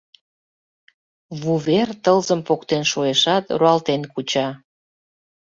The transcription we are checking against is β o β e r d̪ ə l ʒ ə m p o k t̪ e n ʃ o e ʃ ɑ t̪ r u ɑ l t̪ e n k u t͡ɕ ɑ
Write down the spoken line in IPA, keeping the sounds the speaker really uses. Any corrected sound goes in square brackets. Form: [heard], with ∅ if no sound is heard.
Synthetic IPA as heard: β [u] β e r [t̪] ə l [z] ə m p o k t̪ e n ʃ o e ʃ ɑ t̪ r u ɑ l t̪ e n k u t͡ɕ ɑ